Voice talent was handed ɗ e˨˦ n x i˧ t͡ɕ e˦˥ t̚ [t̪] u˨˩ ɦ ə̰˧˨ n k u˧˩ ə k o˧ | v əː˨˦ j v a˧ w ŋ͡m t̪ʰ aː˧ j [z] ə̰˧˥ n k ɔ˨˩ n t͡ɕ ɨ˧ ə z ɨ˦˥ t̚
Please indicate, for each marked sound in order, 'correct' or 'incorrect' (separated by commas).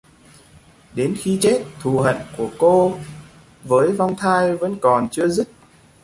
incorrect, incorrect